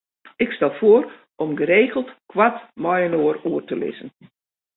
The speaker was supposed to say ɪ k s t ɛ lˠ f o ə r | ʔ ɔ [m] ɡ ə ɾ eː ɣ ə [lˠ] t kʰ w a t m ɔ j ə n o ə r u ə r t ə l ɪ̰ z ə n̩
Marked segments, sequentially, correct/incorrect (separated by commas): correct, correct